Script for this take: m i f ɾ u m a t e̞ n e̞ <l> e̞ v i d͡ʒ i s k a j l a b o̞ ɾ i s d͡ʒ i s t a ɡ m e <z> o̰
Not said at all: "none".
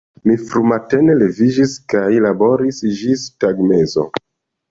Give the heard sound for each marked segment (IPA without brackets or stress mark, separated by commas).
l, z